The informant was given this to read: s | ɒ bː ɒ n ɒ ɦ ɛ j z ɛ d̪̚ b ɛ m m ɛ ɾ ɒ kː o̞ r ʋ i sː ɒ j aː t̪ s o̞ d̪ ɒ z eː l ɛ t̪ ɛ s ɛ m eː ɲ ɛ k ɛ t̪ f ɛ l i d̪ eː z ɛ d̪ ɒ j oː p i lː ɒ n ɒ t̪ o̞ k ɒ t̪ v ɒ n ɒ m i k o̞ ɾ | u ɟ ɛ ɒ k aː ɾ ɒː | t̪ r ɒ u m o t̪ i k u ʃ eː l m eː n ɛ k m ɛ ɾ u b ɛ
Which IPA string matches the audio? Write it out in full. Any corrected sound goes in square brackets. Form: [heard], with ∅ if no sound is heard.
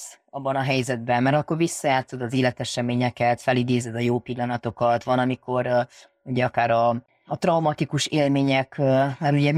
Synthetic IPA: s | ɒ bː ɒ n ɒ ɦ ɛ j z ɛ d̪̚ b ɛ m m ɛ ɾ ɒ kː o̞ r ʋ i sː ɒ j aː t̪ s o̞ d̪ ɒ z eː l ɛ t̪ ɛ [ʃ] ɛ m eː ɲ ɛ k ɛ t̪ f ɛ l i d̪ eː z ɛ d̪ ɒ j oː p i lː ɒ n ɒ t̪ o̞ k ɒ t̪ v ɒ n ɒ m i k o̞ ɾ | u ɟ ɛ ɒ k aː ɾ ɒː | t̪ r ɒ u m [ɒ] t̪ i k u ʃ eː l m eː [ɲ] ɛ k m ɛ ɾ u [ɟ] ɛ